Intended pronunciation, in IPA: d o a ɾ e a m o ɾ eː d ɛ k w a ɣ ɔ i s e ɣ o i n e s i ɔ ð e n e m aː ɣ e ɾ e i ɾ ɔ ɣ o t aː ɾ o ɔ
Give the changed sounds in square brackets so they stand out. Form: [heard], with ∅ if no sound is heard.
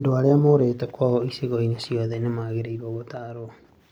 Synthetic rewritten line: d o a ɾ e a m o ɾ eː [t] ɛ k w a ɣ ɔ i s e ɣ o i n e s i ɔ ð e n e m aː ɣ e ɾ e i ɾ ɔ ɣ o t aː ɾ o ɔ